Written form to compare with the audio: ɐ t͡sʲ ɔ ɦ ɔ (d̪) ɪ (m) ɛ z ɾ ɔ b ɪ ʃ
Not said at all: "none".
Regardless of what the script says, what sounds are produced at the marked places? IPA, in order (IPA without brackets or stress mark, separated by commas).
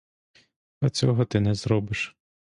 t̪, n